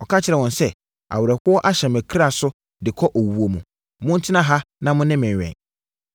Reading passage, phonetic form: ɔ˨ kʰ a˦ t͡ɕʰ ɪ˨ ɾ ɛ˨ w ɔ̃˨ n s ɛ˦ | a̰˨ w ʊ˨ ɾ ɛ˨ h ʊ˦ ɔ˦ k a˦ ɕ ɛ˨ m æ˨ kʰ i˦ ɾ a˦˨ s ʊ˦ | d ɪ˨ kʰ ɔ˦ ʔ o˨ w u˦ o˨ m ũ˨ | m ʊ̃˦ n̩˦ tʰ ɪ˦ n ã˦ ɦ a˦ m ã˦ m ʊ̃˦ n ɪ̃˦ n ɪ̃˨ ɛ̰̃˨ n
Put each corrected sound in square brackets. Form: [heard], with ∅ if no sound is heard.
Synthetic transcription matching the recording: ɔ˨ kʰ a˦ t͡ɕʰ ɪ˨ ɾ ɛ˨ w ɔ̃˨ n s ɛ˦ | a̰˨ w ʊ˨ ɾ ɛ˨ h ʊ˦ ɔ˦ [ʔ] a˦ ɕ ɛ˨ m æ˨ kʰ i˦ ɾ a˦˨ s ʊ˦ | d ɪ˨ kʰ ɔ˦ ʔ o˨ w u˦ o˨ m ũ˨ | m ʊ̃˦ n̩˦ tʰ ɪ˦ n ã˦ ɦ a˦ [n] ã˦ m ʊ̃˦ n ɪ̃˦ [m] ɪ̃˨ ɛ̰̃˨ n